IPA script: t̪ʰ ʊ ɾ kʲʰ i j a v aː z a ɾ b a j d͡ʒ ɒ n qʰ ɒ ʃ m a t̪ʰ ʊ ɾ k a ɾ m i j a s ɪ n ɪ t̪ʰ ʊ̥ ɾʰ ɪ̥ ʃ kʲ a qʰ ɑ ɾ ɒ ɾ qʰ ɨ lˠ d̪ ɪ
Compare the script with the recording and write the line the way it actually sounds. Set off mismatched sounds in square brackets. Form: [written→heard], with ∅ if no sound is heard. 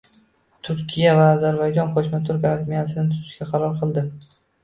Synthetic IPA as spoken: t̪ʰ ʊ ɾ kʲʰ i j a v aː z a ɾ b a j d͡ʒ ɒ n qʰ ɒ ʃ m a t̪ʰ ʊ ɾ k a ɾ m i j a s ɪ n ɪ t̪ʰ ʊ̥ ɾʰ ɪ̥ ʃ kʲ a qʰ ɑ ɾ ɒ ɾ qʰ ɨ lˠ d̪ ɪ